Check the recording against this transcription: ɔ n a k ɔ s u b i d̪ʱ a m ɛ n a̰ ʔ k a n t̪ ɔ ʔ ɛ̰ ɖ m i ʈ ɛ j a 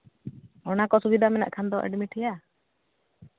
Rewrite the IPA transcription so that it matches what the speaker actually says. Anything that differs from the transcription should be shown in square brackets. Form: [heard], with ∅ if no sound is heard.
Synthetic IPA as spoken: ɔ n a k ɔ s u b i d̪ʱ a m ɛ n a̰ ʔ [kʰ] a n [d̪] ɔ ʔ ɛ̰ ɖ m i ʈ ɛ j a